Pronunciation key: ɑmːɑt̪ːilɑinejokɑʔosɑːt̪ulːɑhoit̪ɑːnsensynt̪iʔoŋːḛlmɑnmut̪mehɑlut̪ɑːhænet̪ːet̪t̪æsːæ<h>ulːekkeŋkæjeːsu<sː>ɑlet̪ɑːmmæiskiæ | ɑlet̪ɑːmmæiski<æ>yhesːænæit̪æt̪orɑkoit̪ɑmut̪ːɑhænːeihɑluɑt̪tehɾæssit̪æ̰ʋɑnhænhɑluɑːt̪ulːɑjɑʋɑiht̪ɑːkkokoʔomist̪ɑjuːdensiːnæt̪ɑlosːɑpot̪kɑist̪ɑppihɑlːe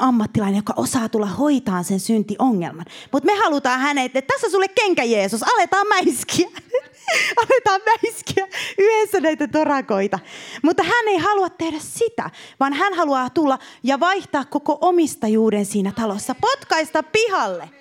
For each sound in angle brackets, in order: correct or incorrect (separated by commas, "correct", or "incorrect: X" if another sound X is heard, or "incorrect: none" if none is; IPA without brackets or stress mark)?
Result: incorrect: s, incorrect: s, correct